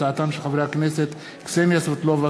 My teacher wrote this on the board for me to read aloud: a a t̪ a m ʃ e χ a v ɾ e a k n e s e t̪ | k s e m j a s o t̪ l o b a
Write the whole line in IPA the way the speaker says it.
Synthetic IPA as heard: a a t̪ a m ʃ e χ a v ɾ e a k n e s e t̪ | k s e m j a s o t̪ l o v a